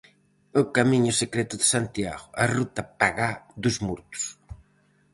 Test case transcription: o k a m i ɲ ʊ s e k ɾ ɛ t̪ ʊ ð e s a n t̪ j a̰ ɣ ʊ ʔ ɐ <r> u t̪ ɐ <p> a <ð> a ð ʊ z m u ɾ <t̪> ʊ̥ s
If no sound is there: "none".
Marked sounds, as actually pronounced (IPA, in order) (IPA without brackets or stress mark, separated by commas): r, p, ɣ, t̪